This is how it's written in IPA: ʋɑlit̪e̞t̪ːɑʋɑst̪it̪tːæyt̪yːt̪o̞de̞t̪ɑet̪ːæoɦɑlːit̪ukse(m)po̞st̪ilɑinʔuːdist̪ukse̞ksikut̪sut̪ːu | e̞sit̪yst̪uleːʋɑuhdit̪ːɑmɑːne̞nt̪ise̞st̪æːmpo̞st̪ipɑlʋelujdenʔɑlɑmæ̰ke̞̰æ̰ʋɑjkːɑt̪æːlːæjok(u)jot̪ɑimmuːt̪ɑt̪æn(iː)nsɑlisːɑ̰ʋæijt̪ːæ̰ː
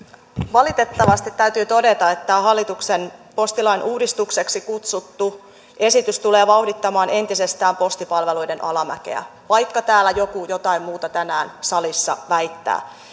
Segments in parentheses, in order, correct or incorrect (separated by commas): incorrect, correct, incorrect